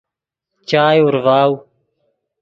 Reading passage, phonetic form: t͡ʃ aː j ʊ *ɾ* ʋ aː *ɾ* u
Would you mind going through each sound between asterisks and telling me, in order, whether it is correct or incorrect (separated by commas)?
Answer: correct, incorrect